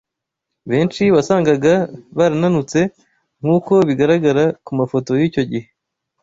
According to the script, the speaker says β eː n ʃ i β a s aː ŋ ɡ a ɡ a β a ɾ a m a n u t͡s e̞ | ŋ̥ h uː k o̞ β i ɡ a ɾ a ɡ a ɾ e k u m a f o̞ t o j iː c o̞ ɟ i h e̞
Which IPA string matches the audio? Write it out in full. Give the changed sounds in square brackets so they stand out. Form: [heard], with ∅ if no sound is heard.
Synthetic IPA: β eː n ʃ i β a s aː ŋ ɡ a ɡ a β a ɾ a [n] a n u t͡s e̞ | ŋ̥ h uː k o̞ β i ɡ a ɾ a ɡ a ɾ [a] k u m a f o̞ t o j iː c o̞ ɟ i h e̞